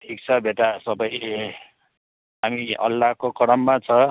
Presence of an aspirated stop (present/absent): present